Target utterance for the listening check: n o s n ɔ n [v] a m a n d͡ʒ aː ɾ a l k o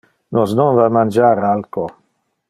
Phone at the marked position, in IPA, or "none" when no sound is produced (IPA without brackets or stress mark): v